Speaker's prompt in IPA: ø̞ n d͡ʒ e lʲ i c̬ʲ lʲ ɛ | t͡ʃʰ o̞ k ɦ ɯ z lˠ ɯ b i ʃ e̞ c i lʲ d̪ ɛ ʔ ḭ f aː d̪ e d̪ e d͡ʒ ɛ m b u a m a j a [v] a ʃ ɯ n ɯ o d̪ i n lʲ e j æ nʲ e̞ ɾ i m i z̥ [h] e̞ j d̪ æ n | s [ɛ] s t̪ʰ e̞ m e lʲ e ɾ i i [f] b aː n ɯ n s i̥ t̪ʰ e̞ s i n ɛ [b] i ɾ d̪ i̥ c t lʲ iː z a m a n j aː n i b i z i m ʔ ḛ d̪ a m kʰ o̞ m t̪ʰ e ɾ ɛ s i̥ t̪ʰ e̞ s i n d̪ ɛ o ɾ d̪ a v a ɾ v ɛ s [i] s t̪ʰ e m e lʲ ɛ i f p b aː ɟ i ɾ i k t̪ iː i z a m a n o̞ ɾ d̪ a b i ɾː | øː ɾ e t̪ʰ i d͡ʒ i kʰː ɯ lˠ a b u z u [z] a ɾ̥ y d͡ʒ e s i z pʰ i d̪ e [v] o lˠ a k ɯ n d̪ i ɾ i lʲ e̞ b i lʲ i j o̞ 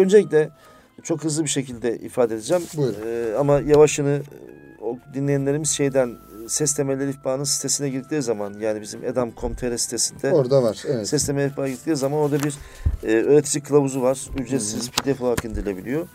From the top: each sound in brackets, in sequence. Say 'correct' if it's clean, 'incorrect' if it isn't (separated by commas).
correct, incorrect, correct, correct, incorrect, incorrect, incorrect, incorrect